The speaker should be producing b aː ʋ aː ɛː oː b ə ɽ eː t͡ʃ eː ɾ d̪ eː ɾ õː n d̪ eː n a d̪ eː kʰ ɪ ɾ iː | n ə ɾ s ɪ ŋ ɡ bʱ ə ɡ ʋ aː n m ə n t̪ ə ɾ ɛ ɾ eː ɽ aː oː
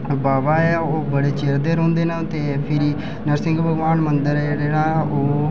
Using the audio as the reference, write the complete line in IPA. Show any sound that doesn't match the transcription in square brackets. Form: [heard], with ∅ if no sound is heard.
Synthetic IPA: b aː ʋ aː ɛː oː b ə ɽ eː t͡ʃ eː ɾ d̪ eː ɾ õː n d̪ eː n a [t̪] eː [pʰ] ɪ ɾ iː | n ə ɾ s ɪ ŋ ɡ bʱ ə ɡ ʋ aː n m ə n [d̪] ə ɾ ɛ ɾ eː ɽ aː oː